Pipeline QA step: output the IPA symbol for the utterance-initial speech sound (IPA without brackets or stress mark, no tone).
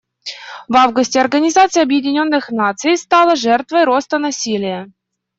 v